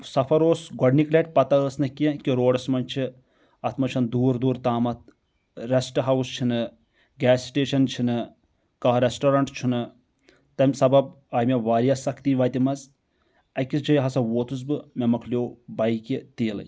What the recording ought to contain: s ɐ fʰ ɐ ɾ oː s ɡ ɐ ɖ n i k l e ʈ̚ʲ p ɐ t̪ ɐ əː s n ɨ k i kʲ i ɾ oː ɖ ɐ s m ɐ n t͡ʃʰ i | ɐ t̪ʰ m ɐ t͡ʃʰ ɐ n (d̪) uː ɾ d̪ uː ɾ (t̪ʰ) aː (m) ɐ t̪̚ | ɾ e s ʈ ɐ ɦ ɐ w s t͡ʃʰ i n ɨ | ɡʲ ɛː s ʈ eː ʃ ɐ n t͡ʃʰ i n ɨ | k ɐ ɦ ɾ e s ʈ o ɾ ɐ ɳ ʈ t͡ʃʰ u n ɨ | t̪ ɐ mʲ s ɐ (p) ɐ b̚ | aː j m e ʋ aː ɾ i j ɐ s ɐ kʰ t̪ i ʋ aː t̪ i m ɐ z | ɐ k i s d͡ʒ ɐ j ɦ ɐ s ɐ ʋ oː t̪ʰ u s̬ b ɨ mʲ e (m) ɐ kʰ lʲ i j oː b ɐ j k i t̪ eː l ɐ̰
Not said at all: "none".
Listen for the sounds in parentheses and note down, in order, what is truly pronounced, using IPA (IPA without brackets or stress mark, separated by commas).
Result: d̪, t̪, m, b, m